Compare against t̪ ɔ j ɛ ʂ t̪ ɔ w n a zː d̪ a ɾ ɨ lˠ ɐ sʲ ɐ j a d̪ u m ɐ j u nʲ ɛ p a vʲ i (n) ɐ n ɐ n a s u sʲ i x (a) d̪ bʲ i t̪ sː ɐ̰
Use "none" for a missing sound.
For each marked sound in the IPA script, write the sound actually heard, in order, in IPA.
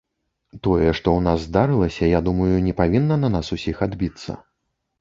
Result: nː, a

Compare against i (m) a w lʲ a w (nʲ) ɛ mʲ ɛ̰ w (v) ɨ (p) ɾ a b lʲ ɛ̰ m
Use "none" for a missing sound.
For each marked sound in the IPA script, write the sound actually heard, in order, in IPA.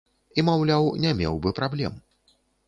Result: m, nʲ, b, p

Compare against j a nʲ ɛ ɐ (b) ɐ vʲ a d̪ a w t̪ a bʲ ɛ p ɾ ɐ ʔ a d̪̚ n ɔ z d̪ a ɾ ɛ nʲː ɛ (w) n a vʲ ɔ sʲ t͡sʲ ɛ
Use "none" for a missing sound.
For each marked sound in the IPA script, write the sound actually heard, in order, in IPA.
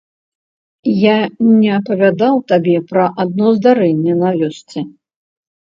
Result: p, none

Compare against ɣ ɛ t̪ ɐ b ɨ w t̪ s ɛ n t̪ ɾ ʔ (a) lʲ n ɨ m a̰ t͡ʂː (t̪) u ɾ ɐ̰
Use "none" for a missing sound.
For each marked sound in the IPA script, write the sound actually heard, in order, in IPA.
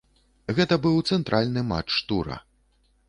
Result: a, t̪

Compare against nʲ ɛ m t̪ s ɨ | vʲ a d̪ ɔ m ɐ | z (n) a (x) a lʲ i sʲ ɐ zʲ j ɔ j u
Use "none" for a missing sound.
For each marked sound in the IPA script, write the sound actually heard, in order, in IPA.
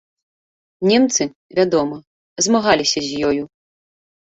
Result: m, ɣ

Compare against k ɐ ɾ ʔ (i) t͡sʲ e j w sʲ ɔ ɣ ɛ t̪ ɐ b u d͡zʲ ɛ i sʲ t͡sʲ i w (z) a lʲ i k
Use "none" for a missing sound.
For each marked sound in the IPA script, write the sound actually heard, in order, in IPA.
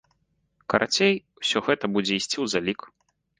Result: a, z

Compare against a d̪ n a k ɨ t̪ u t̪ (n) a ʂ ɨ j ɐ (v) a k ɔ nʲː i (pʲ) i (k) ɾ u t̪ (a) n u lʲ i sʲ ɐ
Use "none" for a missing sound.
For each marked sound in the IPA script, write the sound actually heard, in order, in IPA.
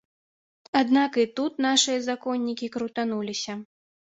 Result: n, z, kʲ, k, a

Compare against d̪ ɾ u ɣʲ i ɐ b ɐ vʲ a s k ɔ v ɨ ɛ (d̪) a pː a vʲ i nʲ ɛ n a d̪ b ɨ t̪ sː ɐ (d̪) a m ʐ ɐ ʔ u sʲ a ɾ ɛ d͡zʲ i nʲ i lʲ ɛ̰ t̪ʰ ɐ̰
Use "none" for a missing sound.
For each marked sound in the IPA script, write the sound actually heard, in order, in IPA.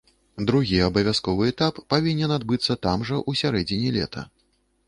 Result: t̪, t̪

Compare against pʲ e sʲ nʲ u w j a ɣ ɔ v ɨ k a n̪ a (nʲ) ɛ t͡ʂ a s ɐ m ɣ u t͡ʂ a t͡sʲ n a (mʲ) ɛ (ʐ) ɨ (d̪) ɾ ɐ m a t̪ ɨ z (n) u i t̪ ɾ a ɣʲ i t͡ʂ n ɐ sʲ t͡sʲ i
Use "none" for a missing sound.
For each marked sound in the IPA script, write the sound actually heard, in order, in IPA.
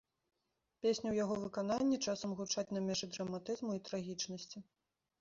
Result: nʲː, mʲ, ʐ, d̪, m

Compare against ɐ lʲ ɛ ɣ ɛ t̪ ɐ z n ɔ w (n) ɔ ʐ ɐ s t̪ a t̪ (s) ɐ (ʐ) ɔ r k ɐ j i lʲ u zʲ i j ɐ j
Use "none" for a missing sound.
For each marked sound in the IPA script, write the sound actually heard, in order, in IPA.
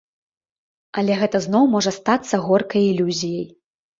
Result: m, sː, ɣ

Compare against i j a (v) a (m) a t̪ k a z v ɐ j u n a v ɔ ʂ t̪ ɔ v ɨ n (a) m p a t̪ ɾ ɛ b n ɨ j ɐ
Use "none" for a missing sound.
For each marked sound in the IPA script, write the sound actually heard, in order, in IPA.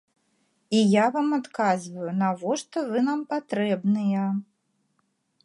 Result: v, m, a

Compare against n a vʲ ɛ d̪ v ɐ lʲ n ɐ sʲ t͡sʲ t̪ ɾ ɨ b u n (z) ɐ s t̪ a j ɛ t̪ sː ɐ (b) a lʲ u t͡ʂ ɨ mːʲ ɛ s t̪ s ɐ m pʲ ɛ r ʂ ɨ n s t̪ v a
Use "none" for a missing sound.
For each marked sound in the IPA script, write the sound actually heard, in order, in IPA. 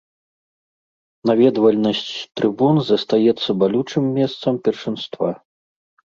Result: z, b

